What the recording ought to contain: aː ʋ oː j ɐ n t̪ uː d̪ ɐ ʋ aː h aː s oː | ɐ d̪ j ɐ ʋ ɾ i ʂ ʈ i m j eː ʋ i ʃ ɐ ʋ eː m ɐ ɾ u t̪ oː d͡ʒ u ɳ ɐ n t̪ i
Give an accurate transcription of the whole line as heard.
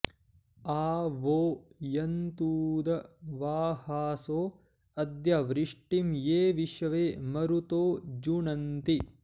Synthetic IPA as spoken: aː ʋ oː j ɐ n t̪ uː d̪ ɐ ʋ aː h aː s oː | ɐ d̪ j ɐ ʋ ɾ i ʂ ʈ i m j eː ʋ i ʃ ɐ ʋ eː m ɐ ɾ u t̪ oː d͡ʒ u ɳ ɐ n t̪ i